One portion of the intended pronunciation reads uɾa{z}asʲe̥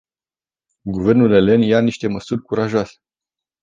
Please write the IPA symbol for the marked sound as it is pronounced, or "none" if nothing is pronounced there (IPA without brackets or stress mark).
ʒ